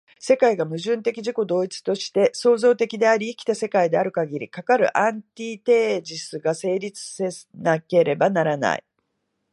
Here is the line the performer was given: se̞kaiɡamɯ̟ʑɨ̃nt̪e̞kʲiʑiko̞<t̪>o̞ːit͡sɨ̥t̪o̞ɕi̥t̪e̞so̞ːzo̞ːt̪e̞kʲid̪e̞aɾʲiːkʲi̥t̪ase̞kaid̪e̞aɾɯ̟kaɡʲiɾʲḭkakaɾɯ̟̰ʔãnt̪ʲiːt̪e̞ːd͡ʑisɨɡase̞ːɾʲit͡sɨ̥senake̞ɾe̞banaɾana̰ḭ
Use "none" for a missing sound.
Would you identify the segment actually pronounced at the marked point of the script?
d̪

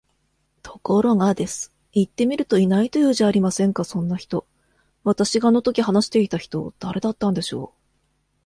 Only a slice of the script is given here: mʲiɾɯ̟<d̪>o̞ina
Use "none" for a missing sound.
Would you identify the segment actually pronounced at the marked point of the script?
t̪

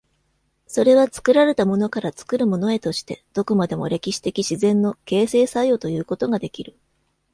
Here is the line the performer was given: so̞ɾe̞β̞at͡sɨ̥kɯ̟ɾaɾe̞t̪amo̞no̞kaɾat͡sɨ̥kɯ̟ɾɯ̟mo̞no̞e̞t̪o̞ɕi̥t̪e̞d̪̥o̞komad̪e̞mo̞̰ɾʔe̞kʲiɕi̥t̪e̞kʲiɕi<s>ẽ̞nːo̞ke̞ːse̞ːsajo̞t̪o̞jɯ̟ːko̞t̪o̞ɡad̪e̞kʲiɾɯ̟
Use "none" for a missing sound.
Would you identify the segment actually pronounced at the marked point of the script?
z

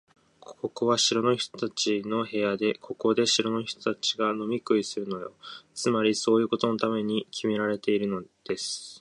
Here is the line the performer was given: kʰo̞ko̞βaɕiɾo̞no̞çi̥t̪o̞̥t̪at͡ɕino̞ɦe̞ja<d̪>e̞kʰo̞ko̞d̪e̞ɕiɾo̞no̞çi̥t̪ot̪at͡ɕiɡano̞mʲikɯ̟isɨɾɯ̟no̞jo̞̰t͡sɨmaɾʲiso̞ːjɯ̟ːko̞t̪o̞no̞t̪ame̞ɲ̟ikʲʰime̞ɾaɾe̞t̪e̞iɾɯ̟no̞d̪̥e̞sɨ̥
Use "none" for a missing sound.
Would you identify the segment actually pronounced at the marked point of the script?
d̪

